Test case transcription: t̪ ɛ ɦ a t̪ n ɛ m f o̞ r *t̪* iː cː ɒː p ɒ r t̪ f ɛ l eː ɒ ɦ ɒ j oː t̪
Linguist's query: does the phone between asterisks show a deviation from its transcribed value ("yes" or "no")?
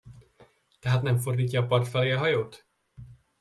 yes